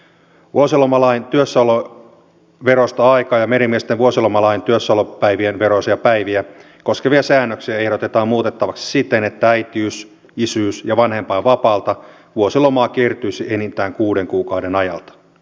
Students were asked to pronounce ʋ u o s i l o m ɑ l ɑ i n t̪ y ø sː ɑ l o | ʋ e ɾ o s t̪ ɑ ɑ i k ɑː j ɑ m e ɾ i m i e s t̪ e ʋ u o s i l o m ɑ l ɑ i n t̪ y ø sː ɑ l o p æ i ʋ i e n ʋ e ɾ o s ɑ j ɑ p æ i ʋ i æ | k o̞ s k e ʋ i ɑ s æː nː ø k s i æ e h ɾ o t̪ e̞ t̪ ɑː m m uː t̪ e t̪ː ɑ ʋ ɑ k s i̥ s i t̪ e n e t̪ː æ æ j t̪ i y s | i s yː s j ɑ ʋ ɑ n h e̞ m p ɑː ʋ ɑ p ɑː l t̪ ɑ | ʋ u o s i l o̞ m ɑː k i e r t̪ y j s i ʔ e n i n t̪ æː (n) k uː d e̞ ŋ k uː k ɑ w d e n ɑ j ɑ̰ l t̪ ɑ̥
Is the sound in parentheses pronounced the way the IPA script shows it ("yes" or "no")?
no